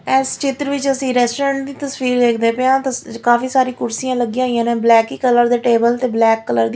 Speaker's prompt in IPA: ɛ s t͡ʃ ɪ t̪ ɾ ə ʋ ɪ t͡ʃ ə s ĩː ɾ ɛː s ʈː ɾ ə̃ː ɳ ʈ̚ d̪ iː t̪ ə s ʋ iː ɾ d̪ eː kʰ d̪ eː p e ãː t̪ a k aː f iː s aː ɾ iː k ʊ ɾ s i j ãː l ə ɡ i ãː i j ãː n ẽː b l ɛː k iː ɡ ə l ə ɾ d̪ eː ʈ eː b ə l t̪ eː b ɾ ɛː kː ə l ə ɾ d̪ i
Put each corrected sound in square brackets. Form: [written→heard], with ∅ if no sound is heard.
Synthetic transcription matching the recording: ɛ s t͡ʃ ɪ t̪ ɾ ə ʋ ɪ t͡ʃ ə s ĩː ɾ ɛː s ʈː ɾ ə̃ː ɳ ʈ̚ d̪ iː t̪ ə s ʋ iː ɾ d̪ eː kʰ d̪ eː p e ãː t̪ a k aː f iː s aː ɾ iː k ʊ ɾ s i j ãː l ə ɡ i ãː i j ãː n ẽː b l ɛː k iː [ɡ→k] ə l ə ɾ d̪ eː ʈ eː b ə l t̪ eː b [ɾ→l] ɛː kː ə l ə ɾ d̪ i